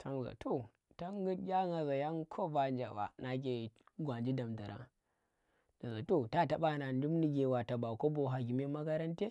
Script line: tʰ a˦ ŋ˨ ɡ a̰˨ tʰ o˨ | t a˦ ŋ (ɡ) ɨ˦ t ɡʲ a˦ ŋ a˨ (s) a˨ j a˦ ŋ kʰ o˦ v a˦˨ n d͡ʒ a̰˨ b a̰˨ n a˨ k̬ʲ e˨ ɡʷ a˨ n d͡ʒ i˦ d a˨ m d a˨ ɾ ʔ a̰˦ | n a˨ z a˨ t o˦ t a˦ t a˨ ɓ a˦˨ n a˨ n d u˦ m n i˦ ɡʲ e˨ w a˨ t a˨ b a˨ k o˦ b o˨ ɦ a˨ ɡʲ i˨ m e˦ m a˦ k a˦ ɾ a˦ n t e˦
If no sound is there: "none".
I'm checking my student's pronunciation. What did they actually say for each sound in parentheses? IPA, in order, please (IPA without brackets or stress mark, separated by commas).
ɡ, z